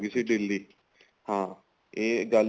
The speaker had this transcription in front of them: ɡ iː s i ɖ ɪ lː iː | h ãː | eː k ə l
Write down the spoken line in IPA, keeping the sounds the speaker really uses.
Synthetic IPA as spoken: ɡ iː s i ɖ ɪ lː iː | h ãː | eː ɡ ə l